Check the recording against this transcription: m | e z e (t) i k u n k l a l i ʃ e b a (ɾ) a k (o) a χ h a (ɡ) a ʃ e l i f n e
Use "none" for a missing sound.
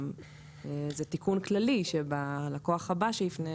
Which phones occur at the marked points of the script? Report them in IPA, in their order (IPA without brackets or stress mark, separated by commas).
t, l, o, b